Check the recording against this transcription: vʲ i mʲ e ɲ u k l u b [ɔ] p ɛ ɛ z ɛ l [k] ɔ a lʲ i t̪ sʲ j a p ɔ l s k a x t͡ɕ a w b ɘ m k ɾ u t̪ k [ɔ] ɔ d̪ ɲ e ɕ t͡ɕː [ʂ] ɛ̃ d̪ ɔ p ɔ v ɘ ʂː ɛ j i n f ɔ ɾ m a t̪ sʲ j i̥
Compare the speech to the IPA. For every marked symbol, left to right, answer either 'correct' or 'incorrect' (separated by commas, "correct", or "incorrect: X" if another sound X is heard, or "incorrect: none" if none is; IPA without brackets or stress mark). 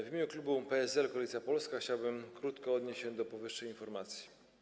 incorrect: u, correct, correct, incorrect: ɕ